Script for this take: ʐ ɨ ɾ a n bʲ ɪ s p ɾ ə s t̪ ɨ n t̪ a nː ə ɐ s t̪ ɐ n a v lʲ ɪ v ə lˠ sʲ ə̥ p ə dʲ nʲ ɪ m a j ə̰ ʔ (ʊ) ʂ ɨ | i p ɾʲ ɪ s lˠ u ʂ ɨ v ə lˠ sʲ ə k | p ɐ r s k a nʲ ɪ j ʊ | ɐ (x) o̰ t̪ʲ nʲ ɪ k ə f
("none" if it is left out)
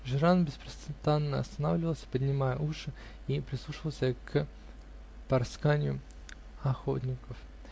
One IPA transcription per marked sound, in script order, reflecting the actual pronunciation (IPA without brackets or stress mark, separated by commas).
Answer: u, x